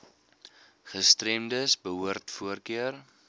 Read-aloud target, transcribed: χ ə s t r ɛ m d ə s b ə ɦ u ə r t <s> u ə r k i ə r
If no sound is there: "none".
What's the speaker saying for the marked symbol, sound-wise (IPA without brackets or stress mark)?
f